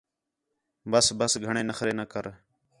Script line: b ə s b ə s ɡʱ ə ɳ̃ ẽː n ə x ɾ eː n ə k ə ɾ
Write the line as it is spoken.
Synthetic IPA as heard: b ə s b ə s ɡʱ ə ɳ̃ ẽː n ə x ɾ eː n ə k ə ɾ